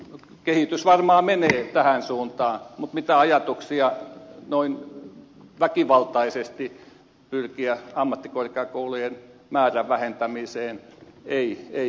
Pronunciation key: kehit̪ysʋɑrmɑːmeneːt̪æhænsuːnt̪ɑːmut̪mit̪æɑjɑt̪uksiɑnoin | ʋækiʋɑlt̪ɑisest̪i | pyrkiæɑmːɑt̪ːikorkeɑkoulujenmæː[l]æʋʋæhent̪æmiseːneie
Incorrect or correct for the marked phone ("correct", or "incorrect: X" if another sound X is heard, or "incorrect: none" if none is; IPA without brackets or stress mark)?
incorrect: r